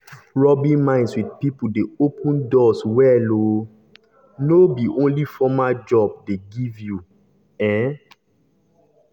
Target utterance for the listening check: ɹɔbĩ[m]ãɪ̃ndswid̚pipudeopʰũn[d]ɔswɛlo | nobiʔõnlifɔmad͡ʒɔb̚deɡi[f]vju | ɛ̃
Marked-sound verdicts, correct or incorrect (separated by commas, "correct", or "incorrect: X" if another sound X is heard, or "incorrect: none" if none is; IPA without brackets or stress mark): correct, correct, incorrect: none